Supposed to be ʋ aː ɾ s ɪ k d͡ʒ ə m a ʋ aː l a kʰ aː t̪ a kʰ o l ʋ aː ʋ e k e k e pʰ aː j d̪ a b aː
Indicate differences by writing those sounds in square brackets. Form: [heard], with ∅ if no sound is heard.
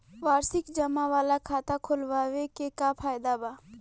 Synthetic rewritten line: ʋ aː ɾ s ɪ k d͡ʒ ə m a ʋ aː l a kʰ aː t̪ a kʰ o l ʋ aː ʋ e k e k [a] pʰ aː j d̪ a b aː